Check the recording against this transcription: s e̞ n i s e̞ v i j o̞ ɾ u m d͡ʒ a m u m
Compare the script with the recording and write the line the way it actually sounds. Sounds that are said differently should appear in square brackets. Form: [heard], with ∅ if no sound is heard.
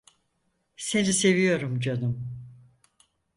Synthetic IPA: s e̞ n i s e̞ v i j o̞ ɾ u m d͡ʒ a [n] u m